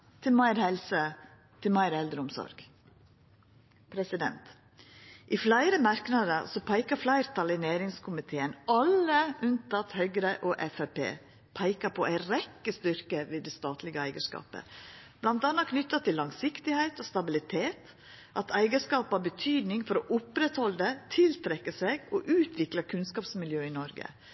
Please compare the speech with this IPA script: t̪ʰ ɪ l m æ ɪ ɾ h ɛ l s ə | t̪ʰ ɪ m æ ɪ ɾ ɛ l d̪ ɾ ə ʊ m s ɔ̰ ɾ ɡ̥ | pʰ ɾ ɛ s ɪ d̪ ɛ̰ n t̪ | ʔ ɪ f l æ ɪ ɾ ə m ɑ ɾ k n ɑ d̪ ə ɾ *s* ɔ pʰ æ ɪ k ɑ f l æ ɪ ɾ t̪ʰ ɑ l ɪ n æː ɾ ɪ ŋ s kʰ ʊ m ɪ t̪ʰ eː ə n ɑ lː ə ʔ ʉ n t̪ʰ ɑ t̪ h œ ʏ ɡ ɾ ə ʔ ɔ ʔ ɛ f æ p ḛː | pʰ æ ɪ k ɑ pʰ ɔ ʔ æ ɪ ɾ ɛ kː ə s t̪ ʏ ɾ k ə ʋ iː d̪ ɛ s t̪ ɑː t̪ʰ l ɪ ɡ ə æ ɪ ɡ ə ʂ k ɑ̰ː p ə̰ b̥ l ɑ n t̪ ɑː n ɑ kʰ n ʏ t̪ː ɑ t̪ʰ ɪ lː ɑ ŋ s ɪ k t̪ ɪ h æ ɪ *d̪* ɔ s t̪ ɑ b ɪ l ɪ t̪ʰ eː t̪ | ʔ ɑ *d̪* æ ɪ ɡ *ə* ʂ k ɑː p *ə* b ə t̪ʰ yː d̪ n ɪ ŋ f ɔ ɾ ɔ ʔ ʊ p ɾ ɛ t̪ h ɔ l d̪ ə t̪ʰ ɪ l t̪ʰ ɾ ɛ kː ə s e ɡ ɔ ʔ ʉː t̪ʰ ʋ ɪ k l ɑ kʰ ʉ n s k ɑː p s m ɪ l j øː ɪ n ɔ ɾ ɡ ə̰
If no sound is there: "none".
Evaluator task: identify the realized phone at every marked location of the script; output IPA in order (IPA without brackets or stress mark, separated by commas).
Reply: s, t̪, t̪, ə, ɑ